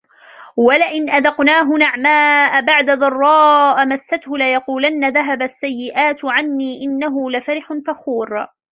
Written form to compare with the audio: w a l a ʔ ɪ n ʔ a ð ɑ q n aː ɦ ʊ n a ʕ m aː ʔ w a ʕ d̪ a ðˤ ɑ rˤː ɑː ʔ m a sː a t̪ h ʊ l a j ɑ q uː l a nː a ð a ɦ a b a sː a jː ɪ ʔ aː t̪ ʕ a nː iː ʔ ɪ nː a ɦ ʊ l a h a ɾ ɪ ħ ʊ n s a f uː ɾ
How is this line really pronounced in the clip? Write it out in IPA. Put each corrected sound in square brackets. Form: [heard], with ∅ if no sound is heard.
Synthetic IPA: w a l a ʔ ɪ n ʔ a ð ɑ q n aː ɦ ʊ n a ʕ m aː ʔ [b] a ʕ d̪ a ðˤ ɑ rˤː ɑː ʔ m a sː a t̪ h ʊ l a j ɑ q uː l a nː a ð a ɦ a b a sː a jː ɪ ʔ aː t̪ ʕ a nː iː ʔ ɪ nː a ɦ ʊ l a [f] a ɾ ɪ ħ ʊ n [f] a [x] uː ɾ